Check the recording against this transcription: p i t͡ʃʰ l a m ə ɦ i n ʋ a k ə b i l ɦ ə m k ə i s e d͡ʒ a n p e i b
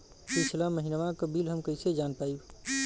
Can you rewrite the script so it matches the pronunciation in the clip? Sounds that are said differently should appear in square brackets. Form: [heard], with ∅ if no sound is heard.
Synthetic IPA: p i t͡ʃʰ l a m ə ɦ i n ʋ a k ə b i l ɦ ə m k ə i s e d͡ʒ a n p [a] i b